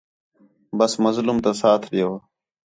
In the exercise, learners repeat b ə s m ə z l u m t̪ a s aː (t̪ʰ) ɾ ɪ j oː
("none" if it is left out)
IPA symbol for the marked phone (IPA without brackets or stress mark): t̪ʰ